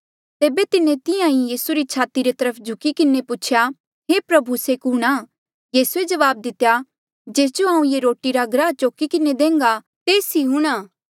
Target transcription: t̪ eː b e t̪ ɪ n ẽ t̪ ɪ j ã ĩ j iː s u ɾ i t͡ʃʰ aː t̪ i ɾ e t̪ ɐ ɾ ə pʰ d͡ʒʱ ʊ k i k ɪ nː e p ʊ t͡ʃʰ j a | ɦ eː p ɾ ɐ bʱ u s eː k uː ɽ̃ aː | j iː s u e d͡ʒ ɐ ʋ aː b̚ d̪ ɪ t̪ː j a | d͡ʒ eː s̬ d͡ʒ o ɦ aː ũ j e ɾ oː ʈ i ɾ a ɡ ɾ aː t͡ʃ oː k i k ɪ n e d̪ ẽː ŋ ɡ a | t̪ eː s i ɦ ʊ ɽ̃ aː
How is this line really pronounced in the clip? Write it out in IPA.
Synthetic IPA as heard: t̪ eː b e t̪ ɪ n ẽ t̪ ɪ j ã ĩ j iː s u ɾ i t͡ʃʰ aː t̪ i ɾ e t̪ ɐ ɾ ə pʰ d͡ʒʱ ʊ k i k ɪ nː e p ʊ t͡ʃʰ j a | ɦ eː p ɾ ɐ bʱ u s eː k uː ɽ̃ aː | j iː s u e d͡ʒ ɐ ʋ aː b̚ d̪ ɪ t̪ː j a | d͡ʒ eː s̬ d͡ʒ o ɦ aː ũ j e ɾ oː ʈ i ɾ a ɡ ɾ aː t͡ʃ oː k i k ɪ n e d̪ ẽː ŋ ɡ a | t̪ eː s i ɦ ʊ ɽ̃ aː